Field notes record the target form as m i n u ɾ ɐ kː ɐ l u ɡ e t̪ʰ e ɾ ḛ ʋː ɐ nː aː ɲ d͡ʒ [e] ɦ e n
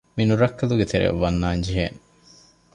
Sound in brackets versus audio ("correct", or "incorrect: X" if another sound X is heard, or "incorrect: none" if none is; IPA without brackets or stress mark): incorrect: i